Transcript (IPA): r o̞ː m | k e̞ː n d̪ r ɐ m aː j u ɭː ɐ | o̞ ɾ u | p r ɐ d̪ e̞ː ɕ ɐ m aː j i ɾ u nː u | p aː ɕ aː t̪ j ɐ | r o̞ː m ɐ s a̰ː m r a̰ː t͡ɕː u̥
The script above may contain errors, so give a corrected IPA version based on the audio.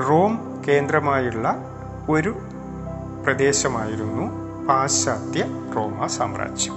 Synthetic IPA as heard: r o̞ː m | k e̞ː n d̪ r ɐ m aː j u ɭː ɐ | o̞ ɾ u | p r ɐ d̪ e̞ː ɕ ɐ m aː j i ɾ u nː u | p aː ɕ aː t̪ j ɐ | r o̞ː m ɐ s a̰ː m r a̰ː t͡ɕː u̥